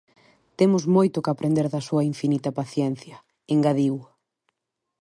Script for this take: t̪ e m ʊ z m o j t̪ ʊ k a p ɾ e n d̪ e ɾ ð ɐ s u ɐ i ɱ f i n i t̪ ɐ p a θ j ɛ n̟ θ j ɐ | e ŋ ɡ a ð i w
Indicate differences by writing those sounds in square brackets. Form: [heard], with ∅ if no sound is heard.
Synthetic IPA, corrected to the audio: t̪ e m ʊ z m o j t̪ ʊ k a p ɾ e n d̪ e ɾ ð ɐ s u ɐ i ɱ f i n i t̪ ɐ p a θ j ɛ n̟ θ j ɐ | e ŋ ɡ a ð i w